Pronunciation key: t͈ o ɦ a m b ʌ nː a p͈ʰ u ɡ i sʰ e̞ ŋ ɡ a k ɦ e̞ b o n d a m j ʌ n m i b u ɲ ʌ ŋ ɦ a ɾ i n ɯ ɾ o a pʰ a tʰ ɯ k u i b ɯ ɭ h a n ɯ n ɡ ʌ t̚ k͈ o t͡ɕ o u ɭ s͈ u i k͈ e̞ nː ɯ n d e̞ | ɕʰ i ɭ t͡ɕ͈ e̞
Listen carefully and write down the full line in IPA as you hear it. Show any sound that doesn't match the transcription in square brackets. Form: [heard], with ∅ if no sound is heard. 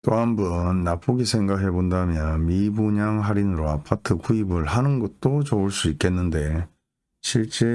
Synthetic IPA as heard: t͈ o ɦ a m b ʌ nː a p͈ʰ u ɡ i sʰ e̞ ŋ ɡ a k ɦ e̞ b o n d a m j ʌ n m i b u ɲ [a] ŋ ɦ a ɾ i n ɯ ɾ o a pʰ a tʰ ɯ k u i b ɯ ɭ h a n ɯ n ɡ ʌ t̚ [t͈] o t͡ɕ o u ɭ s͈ u i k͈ e̞ nː ɯ n d e̞ | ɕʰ i ɭ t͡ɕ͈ e̞